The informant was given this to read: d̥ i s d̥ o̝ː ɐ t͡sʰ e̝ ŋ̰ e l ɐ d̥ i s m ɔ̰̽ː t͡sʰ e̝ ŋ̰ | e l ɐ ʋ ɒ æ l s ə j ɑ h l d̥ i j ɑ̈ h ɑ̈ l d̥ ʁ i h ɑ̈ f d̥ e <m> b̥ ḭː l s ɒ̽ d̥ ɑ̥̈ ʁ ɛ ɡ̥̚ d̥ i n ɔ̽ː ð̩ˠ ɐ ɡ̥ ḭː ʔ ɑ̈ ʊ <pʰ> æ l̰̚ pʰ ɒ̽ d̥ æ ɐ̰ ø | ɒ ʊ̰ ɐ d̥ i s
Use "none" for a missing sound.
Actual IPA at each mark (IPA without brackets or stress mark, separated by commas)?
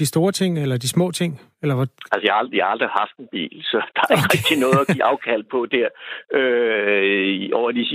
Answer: n, kʰ